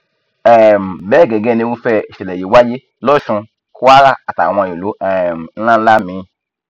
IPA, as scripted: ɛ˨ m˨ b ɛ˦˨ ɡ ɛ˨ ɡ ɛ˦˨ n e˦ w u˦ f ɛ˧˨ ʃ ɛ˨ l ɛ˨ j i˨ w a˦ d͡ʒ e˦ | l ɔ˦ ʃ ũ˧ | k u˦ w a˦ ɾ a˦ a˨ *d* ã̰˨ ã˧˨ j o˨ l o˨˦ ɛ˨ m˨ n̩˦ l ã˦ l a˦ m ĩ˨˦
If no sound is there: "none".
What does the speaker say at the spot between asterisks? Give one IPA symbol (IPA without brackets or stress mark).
t